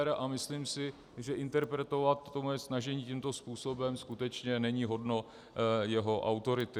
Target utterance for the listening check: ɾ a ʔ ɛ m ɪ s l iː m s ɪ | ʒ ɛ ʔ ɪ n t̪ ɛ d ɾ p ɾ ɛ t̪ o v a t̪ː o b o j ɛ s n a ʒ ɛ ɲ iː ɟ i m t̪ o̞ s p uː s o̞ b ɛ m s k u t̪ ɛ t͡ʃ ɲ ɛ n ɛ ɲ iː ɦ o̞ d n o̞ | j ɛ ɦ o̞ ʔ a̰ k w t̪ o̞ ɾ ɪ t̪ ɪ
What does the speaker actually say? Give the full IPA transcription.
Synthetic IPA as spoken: ɾ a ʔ a m ɪ s l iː m s ɪ | ʒ ɛ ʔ ɪ n t̪ ɛ ɾ p ɾ ɛ t̪ o v a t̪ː o m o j ɛ s n a ʒ ɛ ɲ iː c i m t̪ o̞ s p uː s o̞ b ɛ m s k u t̪ ɛ t͡ʃ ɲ ɛ n ɛ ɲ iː ɦ o̞ d n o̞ | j ɛ ɦ o̞ ʔ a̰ w t̪ o̞ ɾ ɪ t̪ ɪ